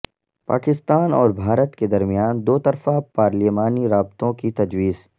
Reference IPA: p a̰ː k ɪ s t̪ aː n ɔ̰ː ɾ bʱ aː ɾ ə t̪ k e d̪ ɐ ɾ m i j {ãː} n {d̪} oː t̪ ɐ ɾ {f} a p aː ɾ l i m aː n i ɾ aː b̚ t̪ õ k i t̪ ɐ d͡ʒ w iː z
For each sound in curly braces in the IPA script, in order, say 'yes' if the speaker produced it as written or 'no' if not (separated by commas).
no, yes, yes